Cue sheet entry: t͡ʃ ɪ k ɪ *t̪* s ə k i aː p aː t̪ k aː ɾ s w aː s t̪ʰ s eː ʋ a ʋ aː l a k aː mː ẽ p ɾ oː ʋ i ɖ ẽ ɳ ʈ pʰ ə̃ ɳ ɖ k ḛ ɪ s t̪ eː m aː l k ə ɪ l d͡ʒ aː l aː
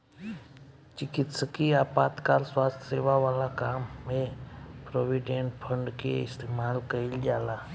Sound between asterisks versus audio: correct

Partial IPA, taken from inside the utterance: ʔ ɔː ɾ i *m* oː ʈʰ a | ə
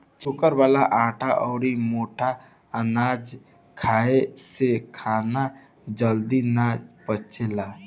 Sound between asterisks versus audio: correct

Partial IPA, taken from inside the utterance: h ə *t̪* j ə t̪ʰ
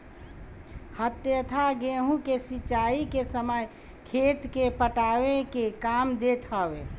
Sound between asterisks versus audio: correct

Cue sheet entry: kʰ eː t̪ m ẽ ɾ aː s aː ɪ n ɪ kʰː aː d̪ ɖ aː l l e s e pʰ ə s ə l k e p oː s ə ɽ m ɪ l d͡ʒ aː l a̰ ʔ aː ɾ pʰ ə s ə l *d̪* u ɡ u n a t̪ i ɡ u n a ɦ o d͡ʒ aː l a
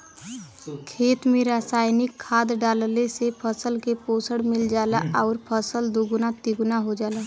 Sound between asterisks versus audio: correct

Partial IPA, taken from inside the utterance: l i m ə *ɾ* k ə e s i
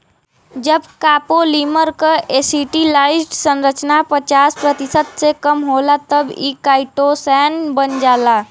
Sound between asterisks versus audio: correct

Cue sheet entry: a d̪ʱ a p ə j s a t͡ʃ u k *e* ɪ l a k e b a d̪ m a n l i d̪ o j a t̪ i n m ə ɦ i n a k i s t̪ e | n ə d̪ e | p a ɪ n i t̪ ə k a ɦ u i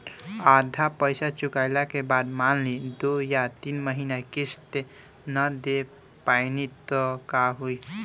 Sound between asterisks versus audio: incorrect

